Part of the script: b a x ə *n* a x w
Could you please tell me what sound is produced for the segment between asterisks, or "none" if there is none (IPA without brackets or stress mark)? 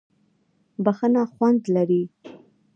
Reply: n